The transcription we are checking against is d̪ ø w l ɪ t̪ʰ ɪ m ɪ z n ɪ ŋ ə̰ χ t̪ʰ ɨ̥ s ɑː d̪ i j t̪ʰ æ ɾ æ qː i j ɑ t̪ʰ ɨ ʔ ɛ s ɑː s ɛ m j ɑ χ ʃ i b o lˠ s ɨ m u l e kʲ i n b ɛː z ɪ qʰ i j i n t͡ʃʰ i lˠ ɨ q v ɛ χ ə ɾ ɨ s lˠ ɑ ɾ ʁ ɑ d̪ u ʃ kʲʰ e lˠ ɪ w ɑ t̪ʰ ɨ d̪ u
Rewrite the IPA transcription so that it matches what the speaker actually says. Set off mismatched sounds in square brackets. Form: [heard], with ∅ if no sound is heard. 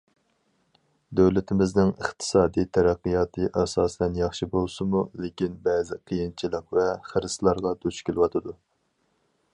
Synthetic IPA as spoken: d̪ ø w l ɪ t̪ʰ ɪ m ɪ z n ɪ ŋ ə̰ χ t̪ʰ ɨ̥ s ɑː d̪ i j t̪ʰ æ ɾ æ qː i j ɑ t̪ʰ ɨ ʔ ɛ s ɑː s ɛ [n] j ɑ χ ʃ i b o lˠ s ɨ m u l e kʲ i n b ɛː z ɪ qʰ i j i n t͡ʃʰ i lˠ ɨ q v ɛ χ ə ɾ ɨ s lˠ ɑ ɾ ʁ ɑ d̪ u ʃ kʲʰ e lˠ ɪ w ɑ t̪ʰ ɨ d̪ u

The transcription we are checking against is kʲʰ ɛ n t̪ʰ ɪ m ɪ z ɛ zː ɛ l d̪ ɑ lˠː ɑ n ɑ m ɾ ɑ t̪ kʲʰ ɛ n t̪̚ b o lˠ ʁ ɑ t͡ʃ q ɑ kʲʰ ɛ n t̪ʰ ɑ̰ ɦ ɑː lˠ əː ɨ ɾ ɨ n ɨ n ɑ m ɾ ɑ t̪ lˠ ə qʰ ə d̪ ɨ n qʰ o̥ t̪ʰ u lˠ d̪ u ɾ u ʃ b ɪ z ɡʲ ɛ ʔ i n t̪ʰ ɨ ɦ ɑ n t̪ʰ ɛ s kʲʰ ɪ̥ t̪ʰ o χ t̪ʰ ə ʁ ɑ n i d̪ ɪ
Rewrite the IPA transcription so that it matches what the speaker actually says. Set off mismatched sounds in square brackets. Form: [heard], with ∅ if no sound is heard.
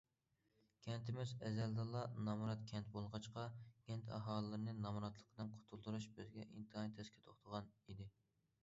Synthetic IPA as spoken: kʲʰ ɛ n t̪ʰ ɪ m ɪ z ɛ [z] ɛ l d̪ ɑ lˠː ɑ n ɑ m ɾ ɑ t̪ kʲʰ ɛ n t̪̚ b o lˠ ʁ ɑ t͡ʃ q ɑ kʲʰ ɛ n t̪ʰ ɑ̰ ɦ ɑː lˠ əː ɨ ɾ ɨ n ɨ n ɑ m ɾ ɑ t̪ lˠ ə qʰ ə d̪ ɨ n qʰ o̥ t̪ʰ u lˠ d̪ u ɾ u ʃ b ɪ z ɡʲ ɛ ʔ i n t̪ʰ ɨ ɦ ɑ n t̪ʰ ɛ s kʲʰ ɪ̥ t̪ʰ o χ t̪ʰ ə ʁ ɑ n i d̪ ɪ

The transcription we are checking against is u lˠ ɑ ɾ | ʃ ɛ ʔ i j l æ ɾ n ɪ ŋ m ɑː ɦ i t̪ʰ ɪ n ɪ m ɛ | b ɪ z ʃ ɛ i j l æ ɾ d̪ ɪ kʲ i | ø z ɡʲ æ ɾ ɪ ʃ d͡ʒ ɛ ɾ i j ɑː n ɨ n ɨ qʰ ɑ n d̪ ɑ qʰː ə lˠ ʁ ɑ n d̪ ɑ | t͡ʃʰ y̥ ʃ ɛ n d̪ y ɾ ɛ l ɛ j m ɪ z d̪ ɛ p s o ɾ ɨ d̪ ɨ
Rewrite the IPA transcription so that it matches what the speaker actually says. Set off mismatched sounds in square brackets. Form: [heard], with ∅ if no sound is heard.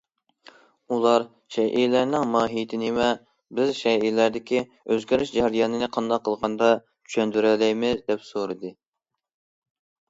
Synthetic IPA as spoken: u lˠ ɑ ɾ | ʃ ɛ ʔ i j l æ ɾ n ɪ ŋ m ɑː ɦ i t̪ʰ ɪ n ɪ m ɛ | b ɪ z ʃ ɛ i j l æ ɾ d̪ ɪ kʲ i | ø z ɡʲ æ ɾ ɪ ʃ d͡ʒ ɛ ɾ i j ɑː n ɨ n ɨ qʰ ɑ n d̪ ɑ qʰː ə lˠ ʁ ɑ n d̪ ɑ | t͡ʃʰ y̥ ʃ ɛ n d̪ y ɾ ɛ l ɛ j m ɪ z d̪ ɛ p s o ɾ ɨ d̪ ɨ

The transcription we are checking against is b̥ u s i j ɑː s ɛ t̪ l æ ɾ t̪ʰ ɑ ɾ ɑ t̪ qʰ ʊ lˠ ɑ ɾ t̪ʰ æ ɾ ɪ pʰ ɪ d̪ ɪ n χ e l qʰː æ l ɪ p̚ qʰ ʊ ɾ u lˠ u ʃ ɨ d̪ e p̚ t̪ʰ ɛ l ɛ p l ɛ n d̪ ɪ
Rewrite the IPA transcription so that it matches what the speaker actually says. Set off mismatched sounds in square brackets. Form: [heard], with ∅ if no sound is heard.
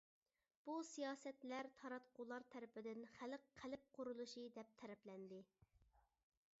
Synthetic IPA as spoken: b̥ u s i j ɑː s ɛ t̪ l æ ɾ t̪ʰ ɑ ɾ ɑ t̪ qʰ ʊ lˠ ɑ ɾ t̪ʰ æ ɾ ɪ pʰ ɪ d̪ ɪ n χ [æ] l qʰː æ l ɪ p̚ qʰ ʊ ɾ u lˠ u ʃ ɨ d̪ [ɛ] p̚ t̪ʰ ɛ [ɾ] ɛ p l ɛ n d̪ ɪ

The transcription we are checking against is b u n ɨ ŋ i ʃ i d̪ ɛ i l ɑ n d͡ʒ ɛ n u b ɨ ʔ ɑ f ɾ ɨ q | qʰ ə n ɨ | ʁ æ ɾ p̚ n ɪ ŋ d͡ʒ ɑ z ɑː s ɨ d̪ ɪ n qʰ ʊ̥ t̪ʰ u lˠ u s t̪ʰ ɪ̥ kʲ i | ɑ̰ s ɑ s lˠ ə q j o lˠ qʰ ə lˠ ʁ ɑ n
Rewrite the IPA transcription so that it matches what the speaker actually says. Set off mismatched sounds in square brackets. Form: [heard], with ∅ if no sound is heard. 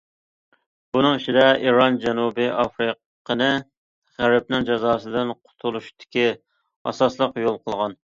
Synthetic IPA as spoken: b u n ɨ ŋ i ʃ i d̪ ɛ i [ɾ] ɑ n d͡ʒ ɛ n u b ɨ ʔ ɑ f ɾ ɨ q | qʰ ə n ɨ | ʁ æ ɾ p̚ n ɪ ŋ d͡ʒ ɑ z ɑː s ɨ d̪ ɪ n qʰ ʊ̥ t̪ʰ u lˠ u [ʃ] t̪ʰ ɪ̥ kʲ i | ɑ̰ s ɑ s lˠ ə q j o lˠ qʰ ə lˠ ʁ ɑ n

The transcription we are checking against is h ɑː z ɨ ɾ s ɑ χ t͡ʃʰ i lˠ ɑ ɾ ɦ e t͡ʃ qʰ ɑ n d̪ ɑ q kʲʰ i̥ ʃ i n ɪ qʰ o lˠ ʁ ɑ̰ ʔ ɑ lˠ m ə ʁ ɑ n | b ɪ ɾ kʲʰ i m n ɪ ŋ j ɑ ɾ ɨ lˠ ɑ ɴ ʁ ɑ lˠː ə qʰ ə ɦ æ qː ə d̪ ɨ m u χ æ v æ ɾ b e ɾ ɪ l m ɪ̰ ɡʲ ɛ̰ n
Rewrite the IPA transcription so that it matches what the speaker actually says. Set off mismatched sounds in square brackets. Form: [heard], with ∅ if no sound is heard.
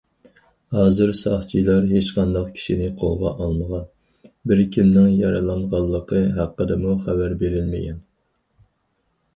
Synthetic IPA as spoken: h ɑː z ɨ ɾ s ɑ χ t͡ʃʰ i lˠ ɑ ɾ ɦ e t͡ʃ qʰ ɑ n d̪ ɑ q kʲʰ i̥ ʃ i n ɪ qʰ o lˠ ʁ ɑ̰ ʔ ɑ lˠ m ə ʁ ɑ n | b ɪ ɾ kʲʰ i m n ɪ ŋ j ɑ ɾ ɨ lˠ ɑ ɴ ʁ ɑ lˠː ə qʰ ə ɦ æ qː ə d̪ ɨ m u χ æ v æ ɾ b e ɾ ɪ l m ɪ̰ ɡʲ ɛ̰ n

